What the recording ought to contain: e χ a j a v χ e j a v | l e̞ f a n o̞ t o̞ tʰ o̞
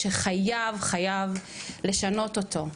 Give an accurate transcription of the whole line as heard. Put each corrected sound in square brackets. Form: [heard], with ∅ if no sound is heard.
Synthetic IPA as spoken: e χ a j a v χ [a] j a v | l e̞ [ʃ] a n o̞ t o̞ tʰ o̞

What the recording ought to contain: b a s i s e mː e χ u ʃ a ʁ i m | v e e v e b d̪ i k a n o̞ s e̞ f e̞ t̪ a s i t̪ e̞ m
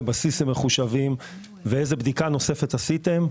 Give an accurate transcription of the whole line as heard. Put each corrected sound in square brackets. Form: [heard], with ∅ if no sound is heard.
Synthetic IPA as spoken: b a s i s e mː e χ u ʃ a [v] i m | v e e [z] e b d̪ i k a n o̞ s e̞ f e̞ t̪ a s i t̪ e̞ m

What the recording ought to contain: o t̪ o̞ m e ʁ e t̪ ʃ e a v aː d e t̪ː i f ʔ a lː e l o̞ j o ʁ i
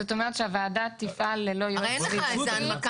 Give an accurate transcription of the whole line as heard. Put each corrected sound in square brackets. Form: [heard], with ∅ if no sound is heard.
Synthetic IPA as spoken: o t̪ o̞ m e ʁ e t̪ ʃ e a v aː d [a] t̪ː i f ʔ a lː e l o̞ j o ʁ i

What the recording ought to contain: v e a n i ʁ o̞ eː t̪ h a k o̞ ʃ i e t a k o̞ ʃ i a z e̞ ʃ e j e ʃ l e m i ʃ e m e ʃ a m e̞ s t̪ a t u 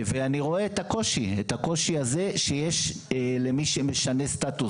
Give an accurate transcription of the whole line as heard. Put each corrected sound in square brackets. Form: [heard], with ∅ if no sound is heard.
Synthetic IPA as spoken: v e a n i ʁ o̞ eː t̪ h a k o̞ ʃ i e t a k o̞ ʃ i a z e̞ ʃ e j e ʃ l e m i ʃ e m e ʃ a [n] e̞ s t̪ a t u

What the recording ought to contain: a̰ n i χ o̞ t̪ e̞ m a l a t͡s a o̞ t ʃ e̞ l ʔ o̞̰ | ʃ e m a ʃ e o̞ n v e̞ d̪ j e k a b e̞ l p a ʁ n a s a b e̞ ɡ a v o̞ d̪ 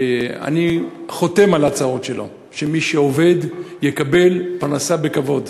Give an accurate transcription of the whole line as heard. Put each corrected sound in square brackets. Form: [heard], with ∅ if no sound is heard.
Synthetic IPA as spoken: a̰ n i χ o̞ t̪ e̞ m a l a t͡s a o̞ t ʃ e̞ l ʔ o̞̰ | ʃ e m [i] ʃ e o̞ [∅] v e̞ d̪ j e k a b e̞ l p a ʁ n a s a b e̞ [k] a v o̞ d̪

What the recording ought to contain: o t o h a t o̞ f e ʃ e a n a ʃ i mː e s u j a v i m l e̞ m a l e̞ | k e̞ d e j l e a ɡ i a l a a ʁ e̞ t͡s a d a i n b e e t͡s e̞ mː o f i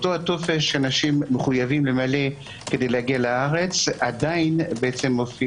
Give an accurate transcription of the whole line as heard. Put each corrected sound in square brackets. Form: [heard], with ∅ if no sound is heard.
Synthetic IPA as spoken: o t o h a t o̞ f e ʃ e a n a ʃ i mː e [χ] u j a v i m l e̞ m a l e̞ | k e̞ d e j l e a ɡ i a l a a ʁ e̞ t͡s a d a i n b e e t͡s e̞ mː o f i

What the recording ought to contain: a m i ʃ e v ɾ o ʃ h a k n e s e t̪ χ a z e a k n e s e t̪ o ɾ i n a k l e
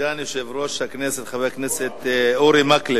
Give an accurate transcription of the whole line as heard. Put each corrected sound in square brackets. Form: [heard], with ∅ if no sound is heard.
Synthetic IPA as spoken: a [n] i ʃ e v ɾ o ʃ h a k n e s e t̪ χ a [v] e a k n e s e t̪ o ɾ i [m] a k l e

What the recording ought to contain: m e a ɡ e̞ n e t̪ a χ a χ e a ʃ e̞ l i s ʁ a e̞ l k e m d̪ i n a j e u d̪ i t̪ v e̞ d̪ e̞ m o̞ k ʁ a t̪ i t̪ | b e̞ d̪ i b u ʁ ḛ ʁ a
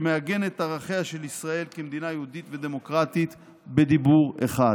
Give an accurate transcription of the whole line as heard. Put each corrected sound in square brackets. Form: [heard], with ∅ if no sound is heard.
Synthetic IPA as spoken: m e a ɡ e̞ n e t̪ a [ʁ] a χ e a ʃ e̞ l i s ʁ a e̞ l k e m d̪ i n a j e u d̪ i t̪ v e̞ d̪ e̞ m o̞ k ʁ a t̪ i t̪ | b e̞ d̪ i b u ʁ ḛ [χ] a

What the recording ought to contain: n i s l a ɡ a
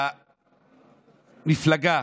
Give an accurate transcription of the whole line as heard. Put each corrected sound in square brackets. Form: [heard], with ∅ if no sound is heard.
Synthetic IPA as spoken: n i [f] l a ɡ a

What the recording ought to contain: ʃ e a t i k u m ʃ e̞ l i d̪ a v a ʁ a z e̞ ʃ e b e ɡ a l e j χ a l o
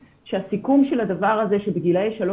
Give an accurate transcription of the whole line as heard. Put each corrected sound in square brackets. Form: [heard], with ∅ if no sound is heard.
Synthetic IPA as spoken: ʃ e a [s] i k u m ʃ e̞ l [a] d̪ a v a ʁ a z e̞ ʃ e b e ɡ [i] l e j [ʃ] a l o

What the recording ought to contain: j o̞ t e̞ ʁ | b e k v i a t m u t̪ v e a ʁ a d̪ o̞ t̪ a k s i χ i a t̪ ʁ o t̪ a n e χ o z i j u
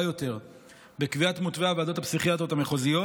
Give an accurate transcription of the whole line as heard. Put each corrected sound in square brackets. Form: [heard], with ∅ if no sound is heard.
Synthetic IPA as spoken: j o̞ t e̞ ʁ | b e k v i a t m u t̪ v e a [v] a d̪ o̞ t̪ a [p] s i χ i a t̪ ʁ o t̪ a [m] e χ o z i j [o]

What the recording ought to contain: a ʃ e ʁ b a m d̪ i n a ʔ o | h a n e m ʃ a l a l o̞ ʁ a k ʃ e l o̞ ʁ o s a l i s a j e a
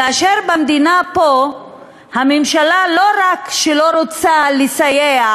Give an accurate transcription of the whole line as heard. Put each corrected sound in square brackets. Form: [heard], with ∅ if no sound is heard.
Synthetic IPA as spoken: a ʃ e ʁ b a m d̪ i n a [p] o | h a [m] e m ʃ a l a l o̞ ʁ a k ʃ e l o̞ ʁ o [t͡s] a l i s a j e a

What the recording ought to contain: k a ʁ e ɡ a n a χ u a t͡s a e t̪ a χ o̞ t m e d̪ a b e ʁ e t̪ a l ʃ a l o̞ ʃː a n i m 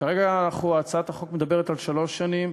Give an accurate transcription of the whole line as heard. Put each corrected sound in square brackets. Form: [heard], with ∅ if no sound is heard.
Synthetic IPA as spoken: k a ʁ e ɡ a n a χ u a t͡s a [a] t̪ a χ o̞ [k] m e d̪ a b e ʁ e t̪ a l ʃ a l o̞ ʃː a n i m

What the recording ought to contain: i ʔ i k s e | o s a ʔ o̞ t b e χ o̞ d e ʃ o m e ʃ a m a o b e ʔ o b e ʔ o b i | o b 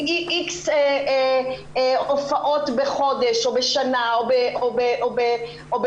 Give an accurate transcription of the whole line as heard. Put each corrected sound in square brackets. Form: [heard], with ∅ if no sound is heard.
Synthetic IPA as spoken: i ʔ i k s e | o [f] a ʔ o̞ t b e χ o̞ d e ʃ o [b] e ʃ a [n] a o b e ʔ o b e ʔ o b [e] | o b

